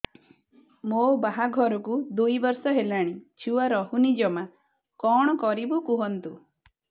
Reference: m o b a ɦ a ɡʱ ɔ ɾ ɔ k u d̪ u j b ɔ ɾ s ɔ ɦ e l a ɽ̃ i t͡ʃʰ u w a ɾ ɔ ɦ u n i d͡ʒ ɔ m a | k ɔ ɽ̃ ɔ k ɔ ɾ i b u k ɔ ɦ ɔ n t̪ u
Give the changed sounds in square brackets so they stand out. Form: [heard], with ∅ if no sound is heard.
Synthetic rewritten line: m o b a ɦ a ɡʱ ɔ ɾ ɔ k u d̪ u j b ɔ ɾ s ɔ ɦ e l a ɽ̃ i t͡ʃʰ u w a ɾ ɔ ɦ u n i d͡ʒ ɔ m a | k ɔ ɽ̃ ɔ k ɔ ɾ i b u k [u] ɦ ɔ n t̪ u

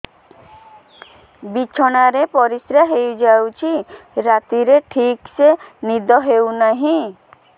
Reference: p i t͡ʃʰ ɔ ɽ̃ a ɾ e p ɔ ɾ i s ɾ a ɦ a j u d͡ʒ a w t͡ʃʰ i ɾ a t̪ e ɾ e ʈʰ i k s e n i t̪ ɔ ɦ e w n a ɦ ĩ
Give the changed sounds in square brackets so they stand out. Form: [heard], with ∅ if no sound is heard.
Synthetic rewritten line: [b] i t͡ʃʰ ɔ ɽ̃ a ɾ e p ɔ ɾ i s ɾ a ɦ [e] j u d͡ʒ a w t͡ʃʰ i ɾ a t̪ [i] ɾ e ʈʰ i k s e n i [d̪] ɔ ɦ e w n a ɦ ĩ

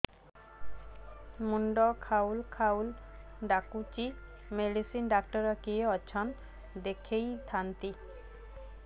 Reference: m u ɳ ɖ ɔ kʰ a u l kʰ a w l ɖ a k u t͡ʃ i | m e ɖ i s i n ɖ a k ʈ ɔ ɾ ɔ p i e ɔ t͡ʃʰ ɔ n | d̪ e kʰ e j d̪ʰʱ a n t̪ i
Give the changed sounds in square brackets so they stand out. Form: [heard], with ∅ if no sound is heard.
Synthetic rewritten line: m u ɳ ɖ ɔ kʰ a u l kʰ a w l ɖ a k u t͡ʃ i | m e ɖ i s i n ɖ a k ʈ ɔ ɾ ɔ [k] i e ɔ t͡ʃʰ ɔ n | d̪ e kʰ e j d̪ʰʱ a n t̪ i

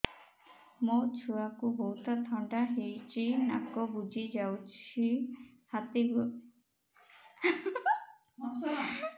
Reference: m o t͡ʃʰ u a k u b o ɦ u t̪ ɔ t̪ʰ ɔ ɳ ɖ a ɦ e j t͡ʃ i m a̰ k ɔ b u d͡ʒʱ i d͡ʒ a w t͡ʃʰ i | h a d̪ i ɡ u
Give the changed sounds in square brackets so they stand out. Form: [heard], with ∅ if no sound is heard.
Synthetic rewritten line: m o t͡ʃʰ u a k u b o ɦ u t̪ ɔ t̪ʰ ɔ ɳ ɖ a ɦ e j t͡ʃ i [n] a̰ k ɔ b u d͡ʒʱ i d͡ʒ a w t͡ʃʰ i | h a [t̪] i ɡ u

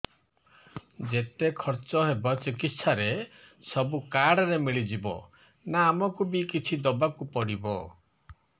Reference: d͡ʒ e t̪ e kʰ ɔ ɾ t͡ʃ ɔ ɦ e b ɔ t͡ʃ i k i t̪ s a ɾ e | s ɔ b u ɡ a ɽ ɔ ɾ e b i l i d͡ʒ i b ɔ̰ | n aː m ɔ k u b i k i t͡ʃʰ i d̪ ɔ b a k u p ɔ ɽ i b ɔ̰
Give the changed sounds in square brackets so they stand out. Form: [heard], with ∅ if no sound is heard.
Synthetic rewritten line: d͡ʒ e t̪ e kʰ ɔ ɾ t͡ʃ ɔ ɦ e b ɔ t͡ʃ i k i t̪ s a ɾ e | s ɔ b u [k] a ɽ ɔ ɾ e [m] i [ɭ] i d͡ʒ i b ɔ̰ | n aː m ɔ k u b i k i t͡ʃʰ i d̪ ɔ b a k u p ɔ ɽ i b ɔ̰

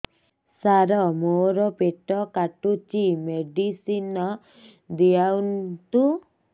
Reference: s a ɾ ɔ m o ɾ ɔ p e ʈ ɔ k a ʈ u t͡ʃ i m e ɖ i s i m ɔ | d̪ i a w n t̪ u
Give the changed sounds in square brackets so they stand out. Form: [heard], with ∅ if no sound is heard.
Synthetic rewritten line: s a ɾ ɔ m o ɾ ɔ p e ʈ ɔ k a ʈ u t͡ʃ i m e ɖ i s i [n] ɔ | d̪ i a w n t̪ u

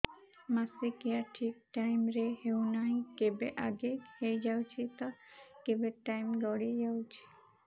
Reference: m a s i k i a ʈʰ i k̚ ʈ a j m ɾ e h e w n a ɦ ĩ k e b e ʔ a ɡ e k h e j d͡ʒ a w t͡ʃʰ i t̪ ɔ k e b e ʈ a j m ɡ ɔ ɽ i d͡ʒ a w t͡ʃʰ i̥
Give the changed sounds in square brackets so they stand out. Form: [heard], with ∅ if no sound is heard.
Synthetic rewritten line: m a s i k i a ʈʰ i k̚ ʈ a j m ɾ e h e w n a ɦ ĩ k e b e ʔ a ɡ e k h e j d͡ʒ a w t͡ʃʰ i t̪ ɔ k e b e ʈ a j m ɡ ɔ ɽ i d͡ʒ a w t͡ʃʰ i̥

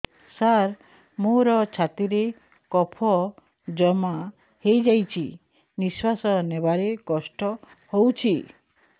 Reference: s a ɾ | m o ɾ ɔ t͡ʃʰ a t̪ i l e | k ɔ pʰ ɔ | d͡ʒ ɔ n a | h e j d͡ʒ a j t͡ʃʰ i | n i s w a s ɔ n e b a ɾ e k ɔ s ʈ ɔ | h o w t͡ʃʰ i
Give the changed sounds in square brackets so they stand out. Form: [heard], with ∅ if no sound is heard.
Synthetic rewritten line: s a ɾ | m o ɾ ɔ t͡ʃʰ a t̪ i [ɾ] e | k ɔ pʰ ɔ | d͡ʒ ɔ [m] a | h e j d͡ʒ a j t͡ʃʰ i | n i s w a s ɔ n e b a ɾ e k ɔ s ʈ ɔ | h o w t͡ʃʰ i

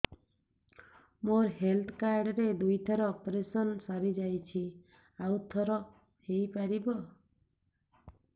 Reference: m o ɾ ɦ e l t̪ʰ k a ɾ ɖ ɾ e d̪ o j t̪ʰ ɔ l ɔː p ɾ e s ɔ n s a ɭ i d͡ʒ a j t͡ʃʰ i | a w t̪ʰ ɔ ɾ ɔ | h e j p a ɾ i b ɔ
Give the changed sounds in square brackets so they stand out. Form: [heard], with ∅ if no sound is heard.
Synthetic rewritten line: m o ɾ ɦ e l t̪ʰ k a ɾ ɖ ɾ e d̪ [u] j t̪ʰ ɔ [ɾ] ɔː p ɾ e s ɔ n s a [ɾ] i d͡ʒ a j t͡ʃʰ i | a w t̪ʰ ɔ ɾ ɔ | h e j p a ɾ i b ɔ

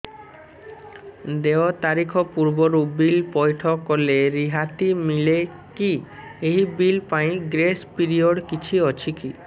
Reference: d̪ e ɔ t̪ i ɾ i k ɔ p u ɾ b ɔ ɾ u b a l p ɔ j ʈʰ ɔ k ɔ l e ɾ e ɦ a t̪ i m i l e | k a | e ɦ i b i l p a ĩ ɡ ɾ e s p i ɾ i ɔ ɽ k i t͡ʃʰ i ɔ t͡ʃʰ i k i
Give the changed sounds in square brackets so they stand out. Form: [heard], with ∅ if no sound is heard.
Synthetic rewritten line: d̪ e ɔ t̪ [a] ɾ i [kʰ] ɔ p u ɾ b ɔ ɾ u b [i] l p ɔ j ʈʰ ɔ k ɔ l e ɾ [i] ɦ a t̪ i m i l e | k [i] | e ɦ i b i l p a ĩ ɡ ɾ e s p i ɾ i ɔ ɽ k i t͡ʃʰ i ɔ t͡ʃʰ i k i

